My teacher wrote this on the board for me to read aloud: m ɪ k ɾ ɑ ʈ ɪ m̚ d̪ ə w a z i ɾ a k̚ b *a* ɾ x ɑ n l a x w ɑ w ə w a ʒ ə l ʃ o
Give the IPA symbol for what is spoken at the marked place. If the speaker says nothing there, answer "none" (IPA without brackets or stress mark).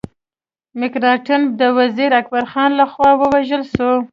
a